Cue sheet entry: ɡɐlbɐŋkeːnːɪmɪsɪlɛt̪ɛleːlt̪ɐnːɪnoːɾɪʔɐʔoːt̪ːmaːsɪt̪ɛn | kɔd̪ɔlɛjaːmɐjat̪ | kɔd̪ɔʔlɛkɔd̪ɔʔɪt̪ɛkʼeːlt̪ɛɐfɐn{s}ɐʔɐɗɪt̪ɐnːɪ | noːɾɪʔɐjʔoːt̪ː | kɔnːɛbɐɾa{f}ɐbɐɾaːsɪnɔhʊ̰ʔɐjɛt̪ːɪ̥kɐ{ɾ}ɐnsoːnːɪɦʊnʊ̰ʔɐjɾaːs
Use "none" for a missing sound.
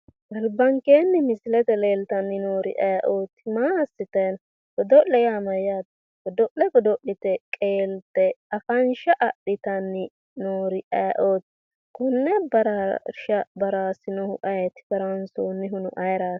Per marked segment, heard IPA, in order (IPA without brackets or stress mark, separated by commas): ʃ, ʃ, ɾ